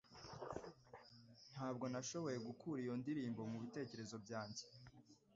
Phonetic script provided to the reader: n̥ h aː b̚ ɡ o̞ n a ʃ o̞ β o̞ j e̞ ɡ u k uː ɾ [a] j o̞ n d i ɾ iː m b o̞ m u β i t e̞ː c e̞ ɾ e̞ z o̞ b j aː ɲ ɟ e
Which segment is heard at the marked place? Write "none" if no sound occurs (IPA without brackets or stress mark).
i